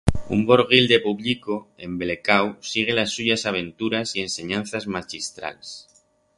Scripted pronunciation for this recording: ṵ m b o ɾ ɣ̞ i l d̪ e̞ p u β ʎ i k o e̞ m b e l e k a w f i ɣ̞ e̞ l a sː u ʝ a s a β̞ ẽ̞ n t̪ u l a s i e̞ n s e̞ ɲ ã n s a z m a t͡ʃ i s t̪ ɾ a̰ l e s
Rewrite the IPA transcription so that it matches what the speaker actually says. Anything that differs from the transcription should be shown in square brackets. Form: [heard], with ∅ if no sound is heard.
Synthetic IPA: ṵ m b o ɾ ɣ̞ i l d̪ e̞ p u β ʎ i k o e̞ m b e l e k a w [s] i ɣ̞ e̞ l a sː u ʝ a s a β̞ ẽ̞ n t̪ u [ɾ] a s i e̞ n s e̞ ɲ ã n [θ] a z m a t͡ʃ i s t̪ ɾ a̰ l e s